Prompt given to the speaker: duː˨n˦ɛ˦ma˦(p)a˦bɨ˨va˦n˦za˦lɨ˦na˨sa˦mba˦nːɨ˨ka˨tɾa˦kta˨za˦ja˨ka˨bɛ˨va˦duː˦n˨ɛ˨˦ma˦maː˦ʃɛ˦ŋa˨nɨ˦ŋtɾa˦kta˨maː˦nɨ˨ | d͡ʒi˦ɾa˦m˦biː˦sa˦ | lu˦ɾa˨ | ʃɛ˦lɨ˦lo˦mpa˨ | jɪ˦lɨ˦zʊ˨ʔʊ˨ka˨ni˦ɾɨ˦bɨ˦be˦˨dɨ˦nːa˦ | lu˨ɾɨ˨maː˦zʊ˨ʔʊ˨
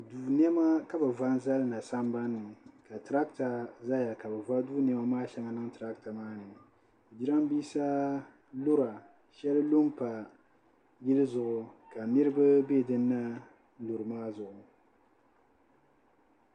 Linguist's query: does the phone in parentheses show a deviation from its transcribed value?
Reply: yes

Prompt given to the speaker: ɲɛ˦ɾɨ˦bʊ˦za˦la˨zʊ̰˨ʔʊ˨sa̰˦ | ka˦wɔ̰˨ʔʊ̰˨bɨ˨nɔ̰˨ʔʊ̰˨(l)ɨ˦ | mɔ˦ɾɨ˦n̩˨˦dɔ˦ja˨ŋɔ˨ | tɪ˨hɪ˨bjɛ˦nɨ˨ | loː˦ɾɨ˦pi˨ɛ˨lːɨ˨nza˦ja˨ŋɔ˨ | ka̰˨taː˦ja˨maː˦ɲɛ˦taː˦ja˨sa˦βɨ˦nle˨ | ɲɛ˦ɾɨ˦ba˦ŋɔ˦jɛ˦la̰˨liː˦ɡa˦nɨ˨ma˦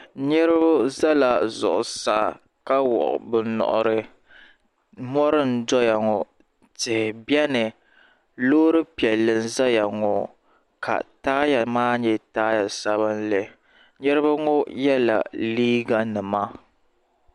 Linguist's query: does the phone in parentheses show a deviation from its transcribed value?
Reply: yes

